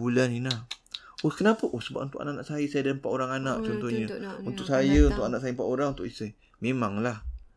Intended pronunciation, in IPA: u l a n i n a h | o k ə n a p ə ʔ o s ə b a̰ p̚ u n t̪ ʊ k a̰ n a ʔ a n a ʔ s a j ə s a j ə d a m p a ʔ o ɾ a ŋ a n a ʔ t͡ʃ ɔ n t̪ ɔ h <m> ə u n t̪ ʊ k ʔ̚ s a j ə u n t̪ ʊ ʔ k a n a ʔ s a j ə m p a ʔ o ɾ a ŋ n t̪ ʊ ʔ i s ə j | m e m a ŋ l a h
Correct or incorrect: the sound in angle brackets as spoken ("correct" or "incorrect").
incorrect